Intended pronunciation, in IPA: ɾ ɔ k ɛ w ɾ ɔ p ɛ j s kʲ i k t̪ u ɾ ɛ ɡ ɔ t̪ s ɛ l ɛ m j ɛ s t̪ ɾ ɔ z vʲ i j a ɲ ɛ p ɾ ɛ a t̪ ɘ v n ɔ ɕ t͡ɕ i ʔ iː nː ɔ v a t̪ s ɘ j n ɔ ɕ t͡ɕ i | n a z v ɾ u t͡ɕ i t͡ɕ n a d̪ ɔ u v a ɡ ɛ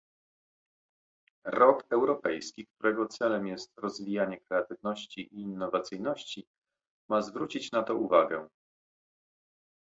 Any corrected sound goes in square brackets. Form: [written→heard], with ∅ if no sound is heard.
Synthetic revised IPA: ɾ ɔ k ɛ w ɾ ɔ p ɛ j s kʲ i k t̪ u ɾ ɛ ɡ ɔ t̪ s ɛ l ɛ m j ɛ s t̪ ɾ ɔ z vʲ i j a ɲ ɛ [p→k] ɾ ɛ a t̪ ɘ v n ɔ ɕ t͡ɕ i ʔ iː nː ɔ v a t̪ s ɘ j n ɔ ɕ t͡ɕ i | [n→m] a z v ɾ u t͡ɕ i t͡ɕ n a [d̪→t̪] ɔ u v a ɡ ɛ